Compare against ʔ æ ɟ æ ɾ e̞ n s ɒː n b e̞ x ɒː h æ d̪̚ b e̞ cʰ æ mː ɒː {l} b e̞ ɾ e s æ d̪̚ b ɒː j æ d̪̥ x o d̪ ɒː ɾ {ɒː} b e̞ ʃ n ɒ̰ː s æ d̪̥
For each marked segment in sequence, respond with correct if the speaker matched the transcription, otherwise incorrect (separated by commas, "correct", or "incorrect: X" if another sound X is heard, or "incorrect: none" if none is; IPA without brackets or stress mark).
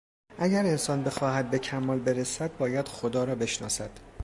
correct, correct